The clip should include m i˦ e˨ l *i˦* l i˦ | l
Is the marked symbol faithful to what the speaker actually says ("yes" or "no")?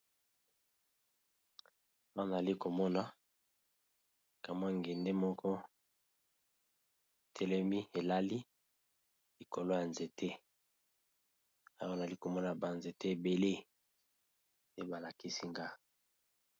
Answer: no